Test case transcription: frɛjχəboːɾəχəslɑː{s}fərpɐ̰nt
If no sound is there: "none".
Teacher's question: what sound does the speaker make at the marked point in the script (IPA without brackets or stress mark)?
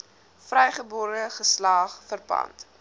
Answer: χ